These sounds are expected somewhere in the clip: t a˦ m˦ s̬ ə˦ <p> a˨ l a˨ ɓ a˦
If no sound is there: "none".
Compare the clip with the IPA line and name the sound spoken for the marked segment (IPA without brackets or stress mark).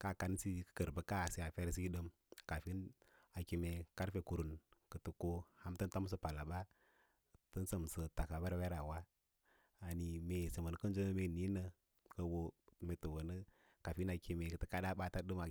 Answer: p